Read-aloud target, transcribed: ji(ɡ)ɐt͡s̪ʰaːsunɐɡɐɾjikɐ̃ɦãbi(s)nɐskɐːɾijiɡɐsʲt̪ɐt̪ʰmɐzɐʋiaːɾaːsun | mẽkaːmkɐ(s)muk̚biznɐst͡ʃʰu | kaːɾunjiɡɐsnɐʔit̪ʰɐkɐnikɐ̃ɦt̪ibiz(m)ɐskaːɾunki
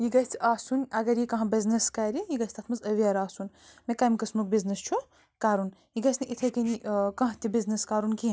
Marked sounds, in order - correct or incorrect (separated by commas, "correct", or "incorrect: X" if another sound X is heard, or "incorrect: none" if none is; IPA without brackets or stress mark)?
correct, incorrect: z, correct, incorrect: n